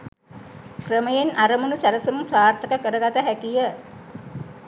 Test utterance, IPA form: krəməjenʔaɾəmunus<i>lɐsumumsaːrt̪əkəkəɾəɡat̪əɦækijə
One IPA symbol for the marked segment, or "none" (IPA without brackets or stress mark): æ